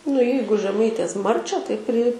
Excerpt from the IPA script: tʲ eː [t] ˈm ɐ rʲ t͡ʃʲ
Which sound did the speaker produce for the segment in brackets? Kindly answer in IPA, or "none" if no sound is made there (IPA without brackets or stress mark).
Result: s